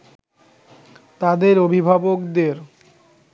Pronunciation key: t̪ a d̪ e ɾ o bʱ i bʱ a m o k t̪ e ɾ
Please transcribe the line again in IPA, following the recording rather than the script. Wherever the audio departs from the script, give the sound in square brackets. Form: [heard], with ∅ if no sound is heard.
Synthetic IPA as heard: t̪ a d̪ e ɾ o bʱ i bʱ a [b] o k [d̪] e ɾ